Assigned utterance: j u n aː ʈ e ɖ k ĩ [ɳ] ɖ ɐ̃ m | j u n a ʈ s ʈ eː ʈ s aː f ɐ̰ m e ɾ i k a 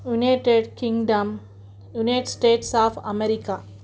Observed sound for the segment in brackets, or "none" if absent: ŋ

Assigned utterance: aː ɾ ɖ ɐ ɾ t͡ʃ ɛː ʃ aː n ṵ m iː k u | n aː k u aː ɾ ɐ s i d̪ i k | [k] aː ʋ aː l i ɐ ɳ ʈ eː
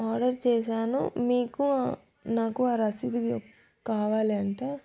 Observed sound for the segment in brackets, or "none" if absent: k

